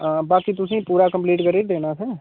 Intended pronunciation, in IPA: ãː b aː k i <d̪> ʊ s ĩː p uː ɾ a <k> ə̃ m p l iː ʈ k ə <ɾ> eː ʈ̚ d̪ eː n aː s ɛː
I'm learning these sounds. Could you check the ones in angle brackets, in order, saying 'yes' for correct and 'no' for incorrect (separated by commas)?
no, yes, yes